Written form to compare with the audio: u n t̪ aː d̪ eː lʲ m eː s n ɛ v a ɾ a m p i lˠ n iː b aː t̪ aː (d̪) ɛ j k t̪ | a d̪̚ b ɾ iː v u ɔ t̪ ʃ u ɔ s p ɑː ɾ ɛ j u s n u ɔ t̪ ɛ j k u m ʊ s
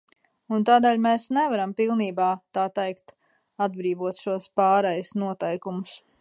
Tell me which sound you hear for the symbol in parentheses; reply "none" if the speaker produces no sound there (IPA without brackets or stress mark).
t̪